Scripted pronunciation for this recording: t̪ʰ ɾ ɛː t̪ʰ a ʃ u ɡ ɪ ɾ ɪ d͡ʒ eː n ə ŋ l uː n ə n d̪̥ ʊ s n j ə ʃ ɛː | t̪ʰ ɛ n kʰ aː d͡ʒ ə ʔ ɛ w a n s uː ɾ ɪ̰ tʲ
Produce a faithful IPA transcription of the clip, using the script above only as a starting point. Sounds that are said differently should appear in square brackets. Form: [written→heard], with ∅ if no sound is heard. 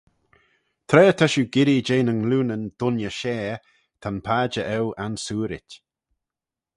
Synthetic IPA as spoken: t̪ʰ ɾ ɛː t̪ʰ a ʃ u ɡ ɪ ɾ [ɪ→i] d͡ʒ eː n ə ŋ l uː n ə n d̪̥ ʊ [s→∅] n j ə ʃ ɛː | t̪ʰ [ɛ→a] n [kʰ→pʰ] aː d͡ʒ ə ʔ ɛ w a n s uː ɾ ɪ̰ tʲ